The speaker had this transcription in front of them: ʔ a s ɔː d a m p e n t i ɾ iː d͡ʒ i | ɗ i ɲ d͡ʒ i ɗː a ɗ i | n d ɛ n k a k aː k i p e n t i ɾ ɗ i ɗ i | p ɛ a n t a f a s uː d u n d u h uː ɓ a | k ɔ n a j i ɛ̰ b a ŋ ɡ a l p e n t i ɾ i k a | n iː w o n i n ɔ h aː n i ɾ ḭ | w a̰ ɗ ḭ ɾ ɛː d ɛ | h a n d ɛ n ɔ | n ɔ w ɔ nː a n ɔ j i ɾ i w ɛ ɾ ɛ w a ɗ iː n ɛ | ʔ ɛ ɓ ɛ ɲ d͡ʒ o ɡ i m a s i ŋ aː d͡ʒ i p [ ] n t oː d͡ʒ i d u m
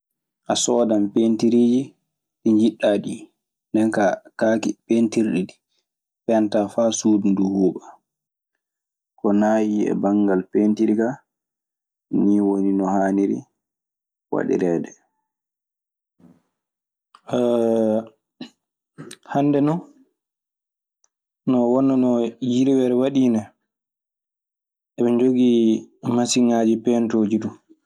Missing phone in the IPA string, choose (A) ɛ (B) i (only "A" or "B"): A